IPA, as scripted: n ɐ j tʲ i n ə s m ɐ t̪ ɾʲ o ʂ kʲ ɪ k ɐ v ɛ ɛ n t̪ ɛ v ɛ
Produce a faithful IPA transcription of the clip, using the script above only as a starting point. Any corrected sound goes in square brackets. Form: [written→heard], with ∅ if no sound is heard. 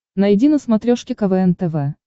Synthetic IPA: n ɐ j [tʲ→dʲ] i n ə s m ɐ t̪ ɾʲ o ʂ kʲ ɪ k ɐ v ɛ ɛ n t̪ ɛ v ɛ